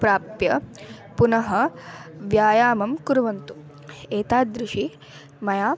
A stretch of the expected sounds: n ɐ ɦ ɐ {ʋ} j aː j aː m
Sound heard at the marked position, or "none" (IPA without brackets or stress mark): ʋ